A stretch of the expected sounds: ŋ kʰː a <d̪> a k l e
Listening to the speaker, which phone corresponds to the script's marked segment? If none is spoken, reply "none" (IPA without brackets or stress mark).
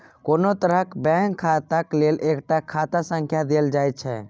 t̪